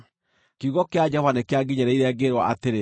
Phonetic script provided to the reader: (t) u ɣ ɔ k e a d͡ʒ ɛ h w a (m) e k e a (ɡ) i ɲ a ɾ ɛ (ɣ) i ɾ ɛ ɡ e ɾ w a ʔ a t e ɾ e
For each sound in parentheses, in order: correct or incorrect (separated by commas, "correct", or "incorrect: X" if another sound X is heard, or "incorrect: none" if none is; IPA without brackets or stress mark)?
incorrect: k, incorrect: n, correct, incorrect: none